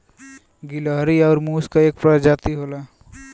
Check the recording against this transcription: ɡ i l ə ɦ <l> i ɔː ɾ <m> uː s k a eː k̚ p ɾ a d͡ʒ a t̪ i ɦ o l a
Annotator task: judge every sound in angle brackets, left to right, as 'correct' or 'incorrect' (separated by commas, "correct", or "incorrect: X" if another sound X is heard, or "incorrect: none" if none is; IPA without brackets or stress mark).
incorrect: ɾ, correct